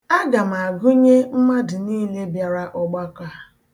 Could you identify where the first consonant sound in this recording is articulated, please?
velar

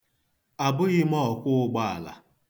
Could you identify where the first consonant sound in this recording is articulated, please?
labial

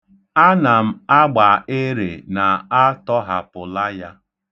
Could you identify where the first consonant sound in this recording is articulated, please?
alveolar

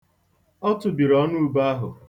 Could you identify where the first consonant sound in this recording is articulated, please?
alveolar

